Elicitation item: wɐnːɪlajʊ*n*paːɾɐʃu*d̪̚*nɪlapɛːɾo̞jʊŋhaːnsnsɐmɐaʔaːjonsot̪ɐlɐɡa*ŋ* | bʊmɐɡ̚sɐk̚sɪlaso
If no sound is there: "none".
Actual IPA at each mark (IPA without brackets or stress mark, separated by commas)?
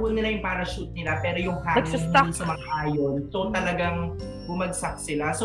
ŋ, t̪̚, ŋ